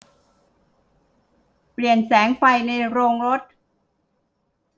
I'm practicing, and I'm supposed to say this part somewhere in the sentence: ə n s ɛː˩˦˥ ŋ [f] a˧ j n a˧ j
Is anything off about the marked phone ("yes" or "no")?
no